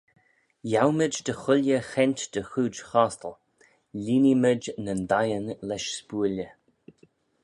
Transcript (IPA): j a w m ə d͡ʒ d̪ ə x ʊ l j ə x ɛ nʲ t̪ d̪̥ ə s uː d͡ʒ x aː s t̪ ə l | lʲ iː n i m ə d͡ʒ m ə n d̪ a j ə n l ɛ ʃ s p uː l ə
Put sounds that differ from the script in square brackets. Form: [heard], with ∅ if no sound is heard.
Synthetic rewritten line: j a w m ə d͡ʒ d̪ ə x ʊ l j ə x ɛ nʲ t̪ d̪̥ ə [x] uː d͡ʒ x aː s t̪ ə l | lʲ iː n i m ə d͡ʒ [n] ə n d̪ a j ə n l ɛ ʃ s p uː l ə